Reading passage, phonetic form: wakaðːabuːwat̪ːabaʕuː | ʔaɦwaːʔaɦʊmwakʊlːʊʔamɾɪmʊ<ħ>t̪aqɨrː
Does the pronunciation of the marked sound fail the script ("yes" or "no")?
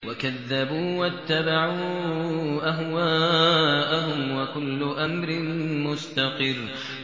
yes